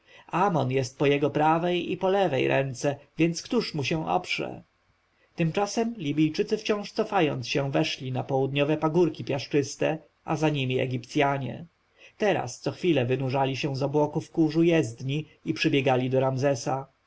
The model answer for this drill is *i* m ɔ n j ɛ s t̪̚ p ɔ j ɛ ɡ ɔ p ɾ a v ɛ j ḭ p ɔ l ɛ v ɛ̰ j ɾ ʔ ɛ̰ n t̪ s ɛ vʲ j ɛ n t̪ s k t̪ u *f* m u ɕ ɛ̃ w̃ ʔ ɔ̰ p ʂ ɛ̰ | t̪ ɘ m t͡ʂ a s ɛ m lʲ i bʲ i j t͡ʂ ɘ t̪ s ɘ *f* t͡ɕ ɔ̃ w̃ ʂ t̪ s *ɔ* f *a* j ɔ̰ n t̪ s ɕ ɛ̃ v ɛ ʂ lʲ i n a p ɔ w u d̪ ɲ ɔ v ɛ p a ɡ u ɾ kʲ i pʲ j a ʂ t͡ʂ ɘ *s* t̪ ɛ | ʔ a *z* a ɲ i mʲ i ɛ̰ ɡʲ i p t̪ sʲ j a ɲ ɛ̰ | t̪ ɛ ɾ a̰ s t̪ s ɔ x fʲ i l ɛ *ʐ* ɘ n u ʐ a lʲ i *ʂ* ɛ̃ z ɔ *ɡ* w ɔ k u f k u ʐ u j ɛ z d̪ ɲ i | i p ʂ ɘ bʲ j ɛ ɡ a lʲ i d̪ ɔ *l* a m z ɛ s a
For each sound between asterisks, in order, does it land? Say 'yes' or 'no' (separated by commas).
no, no, yes, yes, yes, yes, yes, no, no, no, no